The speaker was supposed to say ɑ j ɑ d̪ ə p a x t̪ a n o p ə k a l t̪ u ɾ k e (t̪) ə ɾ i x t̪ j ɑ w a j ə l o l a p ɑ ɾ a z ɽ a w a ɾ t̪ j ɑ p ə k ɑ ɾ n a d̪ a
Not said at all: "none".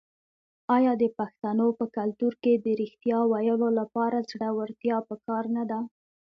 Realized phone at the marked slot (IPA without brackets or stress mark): d̪